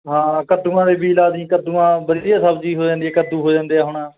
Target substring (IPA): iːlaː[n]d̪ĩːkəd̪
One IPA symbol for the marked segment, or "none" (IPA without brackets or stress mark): none